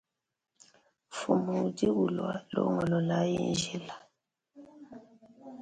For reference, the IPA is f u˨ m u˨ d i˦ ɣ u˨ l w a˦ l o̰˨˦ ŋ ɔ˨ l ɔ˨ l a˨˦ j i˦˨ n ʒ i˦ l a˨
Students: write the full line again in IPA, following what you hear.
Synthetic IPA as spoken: f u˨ m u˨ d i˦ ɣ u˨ l w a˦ l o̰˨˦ ŋ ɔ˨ l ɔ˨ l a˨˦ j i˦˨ n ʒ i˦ l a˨